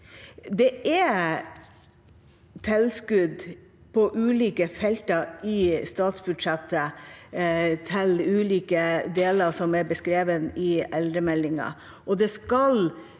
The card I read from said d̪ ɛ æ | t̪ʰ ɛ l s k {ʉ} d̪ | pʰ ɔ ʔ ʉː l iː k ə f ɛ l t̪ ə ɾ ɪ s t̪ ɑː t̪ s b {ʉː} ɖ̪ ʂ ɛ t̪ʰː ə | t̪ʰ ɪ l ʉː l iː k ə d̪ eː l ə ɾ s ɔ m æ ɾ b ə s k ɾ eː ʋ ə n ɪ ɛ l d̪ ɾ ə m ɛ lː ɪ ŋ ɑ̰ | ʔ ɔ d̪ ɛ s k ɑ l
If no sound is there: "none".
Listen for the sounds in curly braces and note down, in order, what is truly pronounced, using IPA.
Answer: ʉ, ʉ

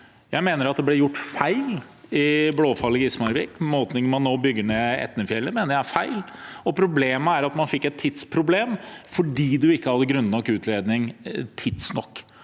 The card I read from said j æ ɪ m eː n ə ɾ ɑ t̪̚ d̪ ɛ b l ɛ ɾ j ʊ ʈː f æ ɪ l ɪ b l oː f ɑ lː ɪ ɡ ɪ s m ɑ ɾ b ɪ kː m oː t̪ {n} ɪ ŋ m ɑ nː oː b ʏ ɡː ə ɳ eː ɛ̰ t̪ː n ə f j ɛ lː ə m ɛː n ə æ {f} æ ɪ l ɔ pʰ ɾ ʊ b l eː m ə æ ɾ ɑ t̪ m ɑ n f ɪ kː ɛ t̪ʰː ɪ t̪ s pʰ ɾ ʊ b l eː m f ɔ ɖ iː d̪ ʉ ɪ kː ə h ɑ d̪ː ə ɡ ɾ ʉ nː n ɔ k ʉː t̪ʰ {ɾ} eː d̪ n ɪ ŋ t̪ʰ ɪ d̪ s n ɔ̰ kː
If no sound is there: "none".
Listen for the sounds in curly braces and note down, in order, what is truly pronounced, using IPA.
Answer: n, f, l

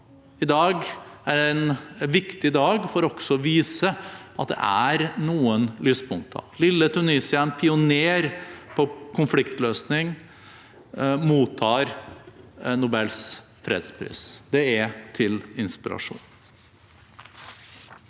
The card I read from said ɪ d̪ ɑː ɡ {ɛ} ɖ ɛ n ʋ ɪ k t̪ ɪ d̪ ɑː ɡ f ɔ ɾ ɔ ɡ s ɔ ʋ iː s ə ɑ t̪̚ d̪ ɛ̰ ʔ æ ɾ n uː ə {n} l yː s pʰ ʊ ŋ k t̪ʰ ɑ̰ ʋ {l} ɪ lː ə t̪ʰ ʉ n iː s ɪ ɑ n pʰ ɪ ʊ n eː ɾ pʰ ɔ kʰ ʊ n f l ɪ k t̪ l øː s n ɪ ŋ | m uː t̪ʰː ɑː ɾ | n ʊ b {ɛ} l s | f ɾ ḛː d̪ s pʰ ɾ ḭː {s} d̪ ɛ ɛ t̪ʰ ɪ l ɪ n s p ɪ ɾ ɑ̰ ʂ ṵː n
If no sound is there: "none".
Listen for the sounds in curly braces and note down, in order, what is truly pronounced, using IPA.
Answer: æ, n, l, ɛ, s

